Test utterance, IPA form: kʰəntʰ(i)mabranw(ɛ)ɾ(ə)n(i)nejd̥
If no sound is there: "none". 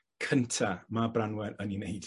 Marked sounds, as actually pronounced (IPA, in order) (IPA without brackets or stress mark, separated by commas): a, ɛ, ə, i